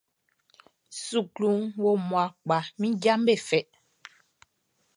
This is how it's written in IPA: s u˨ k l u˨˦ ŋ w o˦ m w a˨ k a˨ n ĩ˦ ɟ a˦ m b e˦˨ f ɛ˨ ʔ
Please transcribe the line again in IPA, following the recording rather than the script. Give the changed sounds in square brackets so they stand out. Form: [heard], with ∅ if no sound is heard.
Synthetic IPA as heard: s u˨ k l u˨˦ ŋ w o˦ m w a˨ [k͡p] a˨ [m] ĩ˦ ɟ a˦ m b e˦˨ f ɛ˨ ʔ